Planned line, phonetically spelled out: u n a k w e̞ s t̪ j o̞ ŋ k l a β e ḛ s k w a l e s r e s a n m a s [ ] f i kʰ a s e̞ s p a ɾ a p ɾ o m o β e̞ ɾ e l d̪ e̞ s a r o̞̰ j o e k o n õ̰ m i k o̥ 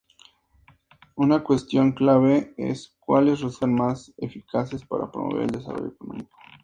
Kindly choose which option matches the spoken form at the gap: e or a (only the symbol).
e